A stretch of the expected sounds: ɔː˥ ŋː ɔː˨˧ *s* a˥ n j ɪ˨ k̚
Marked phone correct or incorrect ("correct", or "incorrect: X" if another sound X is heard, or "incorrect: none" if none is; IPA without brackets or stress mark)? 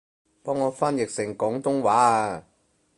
incorrect: f